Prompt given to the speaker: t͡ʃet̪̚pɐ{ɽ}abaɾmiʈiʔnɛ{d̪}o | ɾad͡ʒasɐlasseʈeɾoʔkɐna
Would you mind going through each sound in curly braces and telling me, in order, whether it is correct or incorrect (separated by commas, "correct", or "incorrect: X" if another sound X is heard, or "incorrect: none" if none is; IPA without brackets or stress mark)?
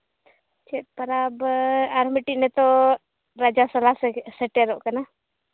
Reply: incorrect: ɾ, incorrect: t̪